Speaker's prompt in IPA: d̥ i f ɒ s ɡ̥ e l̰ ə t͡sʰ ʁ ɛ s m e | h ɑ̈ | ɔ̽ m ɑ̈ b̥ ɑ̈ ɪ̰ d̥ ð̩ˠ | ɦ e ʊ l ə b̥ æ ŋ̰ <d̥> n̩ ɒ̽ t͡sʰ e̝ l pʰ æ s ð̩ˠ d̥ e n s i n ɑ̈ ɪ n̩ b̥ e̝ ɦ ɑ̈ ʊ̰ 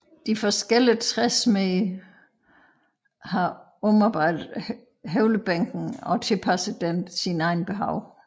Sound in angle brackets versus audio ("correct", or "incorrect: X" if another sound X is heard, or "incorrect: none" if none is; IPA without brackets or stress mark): incorrect: ɡ̥